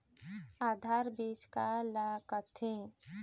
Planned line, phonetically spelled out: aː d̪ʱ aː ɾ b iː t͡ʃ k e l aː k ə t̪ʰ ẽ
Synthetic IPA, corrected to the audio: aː d̪ʱ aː ɾ b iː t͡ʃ k a l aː k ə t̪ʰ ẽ